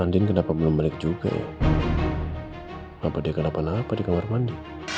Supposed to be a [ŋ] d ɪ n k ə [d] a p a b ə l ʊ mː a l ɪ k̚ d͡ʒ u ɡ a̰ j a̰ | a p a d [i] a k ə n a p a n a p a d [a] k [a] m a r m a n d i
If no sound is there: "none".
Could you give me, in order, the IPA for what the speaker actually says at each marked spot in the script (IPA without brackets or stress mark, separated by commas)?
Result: n, n, i, i, a